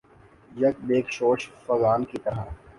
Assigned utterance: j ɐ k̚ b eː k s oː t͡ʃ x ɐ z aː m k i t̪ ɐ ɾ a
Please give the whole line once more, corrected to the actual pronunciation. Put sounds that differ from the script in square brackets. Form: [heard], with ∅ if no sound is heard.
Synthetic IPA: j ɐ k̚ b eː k [ʃ] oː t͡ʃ [f] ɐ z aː [n] k i t̪ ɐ ɾ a